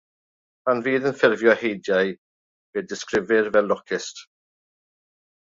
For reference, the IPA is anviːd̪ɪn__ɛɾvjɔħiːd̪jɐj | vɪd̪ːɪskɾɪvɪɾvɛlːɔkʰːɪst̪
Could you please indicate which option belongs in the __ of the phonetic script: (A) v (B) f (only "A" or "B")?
B